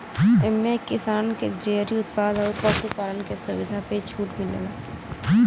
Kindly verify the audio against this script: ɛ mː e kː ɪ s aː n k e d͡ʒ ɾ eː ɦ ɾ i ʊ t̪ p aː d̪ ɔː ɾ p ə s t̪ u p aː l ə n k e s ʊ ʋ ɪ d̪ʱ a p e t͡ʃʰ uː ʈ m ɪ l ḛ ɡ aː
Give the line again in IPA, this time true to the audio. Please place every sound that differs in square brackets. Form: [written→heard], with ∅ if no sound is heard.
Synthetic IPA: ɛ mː e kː ɪ s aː n k e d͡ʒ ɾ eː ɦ ɾ i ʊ t̪ p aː d̪ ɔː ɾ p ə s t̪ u p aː l ə n k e s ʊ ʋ ɪ d̪ʱ a p e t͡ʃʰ uː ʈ m ɪ l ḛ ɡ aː